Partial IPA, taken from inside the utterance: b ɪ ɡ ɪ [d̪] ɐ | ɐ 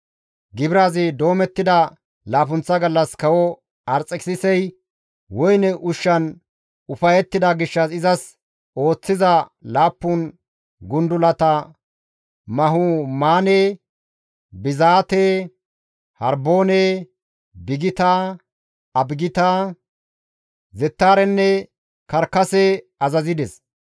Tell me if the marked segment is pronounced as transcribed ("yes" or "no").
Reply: no